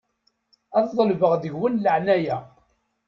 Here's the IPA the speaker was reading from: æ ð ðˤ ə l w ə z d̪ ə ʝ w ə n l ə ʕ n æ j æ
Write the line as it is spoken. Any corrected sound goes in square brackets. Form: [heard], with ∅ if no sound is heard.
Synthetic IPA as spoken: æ ð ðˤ ə l [v] ə [ʁ] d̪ ə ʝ w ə n l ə ʕ n æ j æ